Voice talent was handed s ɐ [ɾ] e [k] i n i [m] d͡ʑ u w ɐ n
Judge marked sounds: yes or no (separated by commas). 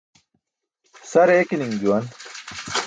yes, yes, no